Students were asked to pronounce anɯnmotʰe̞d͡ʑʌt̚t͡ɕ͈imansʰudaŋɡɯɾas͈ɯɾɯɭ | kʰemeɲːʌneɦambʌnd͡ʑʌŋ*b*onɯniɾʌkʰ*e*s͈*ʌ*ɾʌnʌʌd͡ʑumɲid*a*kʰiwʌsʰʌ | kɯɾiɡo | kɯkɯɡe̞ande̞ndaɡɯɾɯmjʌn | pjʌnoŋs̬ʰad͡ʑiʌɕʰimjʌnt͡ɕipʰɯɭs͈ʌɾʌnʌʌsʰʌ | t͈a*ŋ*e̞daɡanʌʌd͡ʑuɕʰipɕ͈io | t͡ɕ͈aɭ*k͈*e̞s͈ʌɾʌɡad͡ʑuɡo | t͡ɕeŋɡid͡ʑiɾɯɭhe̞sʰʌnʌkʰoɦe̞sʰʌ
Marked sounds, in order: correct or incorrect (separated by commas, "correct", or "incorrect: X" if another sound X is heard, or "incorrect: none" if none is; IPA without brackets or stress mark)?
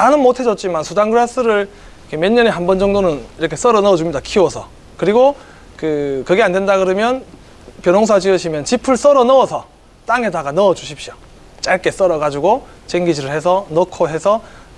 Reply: incorrect: d, correct, correct, correct, correct, correct